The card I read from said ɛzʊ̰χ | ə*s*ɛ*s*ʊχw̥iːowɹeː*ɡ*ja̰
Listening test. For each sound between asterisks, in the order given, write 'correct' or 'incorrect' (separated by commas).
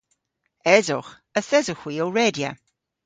incorrect, incorrect, incorrect